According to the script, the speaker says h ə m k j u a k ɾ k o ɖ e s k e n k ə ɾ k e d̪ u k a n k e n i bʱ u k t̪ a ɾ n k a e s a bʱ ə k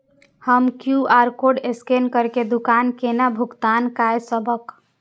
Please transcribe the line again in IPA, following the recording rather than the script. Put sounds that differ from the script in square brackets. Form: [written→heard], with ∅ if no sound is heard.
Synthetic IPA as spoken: h ə m k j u a [k→∅] ɾ k o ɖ e s k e n k ə ɾ k e d̪ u k a n k e n [i→a] bʱ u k t̪ a [ɾ→∅] n k a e s [a→ə] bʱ ə k